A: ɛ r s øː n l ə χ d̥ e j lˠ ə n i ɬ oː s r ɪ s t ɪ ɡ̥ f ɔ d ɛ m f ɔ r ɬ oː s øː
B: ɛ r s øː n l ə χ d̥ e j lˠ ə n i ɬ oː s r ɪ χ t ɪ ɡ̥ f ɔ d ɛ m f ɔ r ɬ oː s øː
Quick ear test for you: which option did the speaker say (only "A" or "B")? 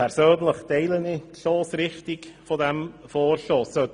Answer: B